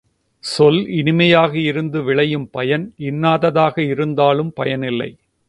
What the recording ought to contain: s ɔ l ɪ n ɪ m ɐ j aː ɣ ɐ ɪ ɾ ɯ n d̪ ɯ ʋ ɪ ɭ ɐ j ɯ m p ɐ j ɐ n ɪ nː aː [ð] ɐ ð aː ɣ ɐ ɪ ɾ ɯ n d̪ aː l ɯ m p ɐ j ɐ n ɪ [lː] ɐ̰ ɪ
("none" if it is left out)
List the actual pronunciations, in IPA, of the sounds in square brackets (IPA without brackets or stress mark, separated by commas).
ð, lː